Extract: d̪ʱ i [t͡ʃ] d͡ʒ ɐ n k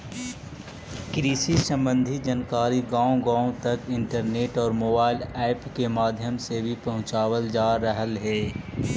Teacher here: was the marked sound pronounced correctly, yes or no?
no